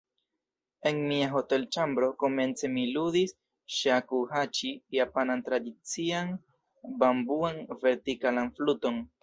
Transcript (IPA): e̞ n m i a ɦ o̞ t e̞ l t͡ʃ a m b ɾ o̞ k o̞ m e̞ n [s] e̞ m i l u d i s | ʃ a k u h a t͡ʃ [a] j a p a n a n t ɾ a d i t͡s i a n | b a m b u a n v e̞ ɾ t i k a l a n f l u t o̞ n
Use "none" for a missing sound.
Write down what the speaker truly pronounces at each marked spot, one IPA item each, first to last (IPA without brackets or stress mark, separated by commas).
t͡s, i